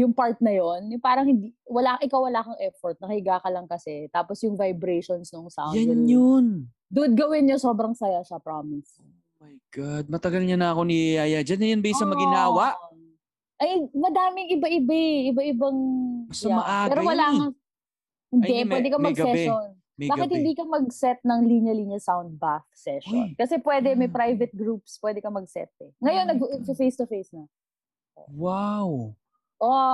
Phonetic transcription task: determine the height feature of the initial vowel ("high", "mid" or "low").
high